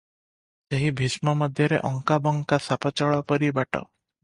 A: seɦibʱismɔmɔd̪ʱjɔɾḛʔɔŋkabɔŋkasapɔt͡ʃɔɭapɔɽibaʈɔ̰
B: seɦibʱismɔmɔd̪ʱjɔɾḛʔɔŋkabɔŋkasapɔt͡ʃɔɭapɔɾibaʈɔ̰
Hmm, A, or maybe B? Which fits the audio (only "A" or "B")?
B